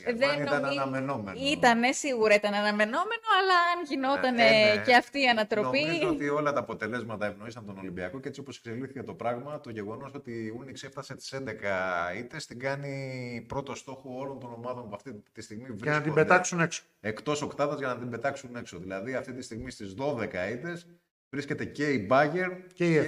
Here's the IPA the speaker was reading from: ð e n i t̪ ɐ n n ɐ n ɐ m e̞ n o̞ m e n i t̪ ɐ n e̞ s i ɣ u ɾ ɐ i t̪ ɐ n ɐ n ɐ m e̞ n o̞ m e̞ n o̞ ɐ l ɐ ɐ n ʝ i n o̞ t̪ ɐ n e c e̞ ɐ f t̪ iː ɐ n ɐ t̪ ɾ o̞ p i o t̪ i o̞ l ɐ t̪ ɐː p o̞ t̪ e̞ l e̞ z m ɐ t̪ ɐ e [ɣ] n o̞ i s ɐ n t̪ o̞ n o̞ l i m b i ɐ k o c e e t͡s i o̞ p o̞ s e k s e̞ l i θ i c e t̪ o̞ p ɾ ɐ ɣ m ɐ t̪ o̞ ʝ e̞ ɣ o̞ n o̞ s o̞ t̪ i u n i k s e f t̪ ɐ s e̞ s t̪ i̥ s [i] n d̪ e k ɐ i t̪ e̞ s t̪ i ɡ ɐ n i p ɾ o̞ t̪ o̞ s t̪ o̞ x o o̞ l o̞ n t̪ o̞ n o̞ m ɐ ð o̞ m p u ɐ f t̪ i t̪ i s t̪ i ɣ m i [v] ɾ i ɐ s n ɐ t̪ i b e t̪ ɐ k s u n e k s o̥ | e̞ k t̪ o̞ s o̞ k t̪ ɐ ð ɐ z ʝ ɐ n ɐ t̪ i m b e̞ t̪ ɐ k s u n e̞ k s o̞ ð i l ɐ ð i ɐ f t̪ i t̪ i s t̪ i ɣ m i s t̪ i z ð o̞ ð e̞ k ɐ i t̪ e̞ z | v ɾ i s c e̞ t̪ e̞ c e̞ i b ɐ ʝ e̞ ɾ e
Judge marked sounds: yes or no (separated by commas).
no, no, yes